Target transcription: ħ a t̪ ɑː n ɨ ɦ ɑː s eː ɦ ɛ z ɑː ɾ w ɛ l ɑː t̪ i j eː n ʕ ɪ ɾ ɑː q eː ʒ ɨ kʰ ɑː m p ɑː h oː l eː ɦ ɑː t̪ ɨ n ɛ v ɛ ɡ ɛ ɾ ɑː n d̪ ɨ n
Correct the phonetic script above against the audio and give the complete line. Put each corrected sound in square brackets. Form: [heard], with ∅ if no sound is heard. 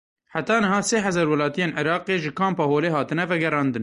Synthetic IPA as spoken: ħ a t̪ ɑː n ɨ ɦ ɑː s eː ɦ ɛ z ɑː ɾ w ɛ l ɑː t̪ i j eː n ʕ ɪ ɾ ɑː q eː ʒ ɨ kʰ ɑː m p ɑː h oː l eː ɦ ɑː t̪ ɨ n ɛ v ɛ ɡ ɛ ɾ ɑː n d̪ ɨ n